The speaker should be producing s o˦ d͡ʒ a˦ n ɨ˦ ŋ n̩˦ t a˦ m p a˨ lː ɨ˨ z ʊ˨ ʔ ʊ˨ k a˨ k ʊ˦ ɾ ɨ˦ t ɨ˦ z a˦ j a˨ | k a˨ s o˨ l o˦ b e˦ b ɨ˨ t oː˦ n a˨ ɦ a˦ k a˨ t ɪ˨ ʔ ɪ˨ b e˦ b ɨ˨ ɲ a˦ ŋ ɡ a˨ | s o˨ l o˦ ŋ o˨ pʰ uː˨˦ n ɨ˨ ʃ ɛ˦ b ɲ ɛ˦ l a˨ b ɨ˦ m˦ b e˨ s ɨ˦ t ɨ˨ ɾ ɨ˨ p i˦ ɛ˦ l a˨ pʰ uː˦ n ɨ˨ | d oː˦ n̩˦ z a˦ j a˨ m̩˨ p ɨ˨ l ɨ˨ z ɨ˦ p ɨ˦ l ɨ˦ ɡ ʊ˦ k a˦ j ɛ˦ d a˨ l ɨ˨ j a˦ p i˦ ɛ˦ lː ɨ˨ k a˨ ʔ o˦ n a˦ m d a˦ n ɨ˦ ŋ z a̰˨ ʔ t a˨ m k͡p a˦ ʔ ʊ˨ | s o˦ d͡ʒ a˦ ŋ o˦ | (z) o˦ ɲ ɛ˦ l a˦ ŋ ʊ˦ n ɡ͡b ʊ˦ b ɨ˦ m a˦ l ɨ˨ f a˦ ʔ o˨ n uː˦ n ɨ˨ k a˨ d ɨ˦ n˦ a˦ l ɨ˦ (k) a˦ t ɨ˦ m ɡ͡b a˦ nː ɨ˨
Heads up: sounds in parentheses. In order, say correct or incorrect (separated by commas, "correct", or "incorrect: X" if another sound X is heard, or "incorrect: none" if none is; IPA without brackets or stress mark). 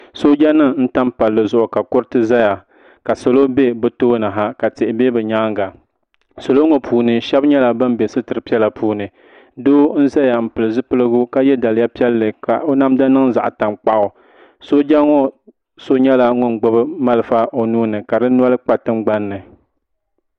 incorrect: s, incorrect: k͡p